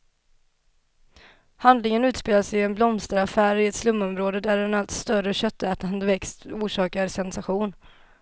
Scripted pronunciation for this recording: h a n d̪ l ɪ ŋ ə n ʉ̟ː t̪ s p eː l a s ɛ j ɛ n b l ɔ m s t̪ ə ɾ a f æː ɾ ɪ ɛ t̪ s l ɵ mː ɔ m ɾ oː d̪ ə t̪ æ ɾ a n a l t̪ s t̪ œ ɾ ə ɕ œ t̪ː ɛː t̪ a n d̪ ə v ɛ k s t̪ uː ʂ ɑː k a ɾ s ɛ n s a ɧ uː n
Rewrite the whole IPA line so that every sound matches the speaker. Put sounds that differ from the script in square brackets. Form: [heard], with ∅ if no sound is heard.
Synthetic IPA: h a n d̪ l ɪ ŋ ə n ʉ̟ː t̪ s p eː l a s ɛ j ɛ n b l ɔ m s t̪ ə ɾ a f æː ɾ ɪ ɛ t̪ s l ɵ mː ɔ m ɾ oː d̪ ə [d̪] æ ɾ [ɛ] n a l t̪ s t̪ œ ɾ ə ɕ œ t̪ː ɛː t̪ a n d̪ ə v ɛ k s t̪ uː ʂ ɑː k a ɾ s ɛ n s a ɧ uː n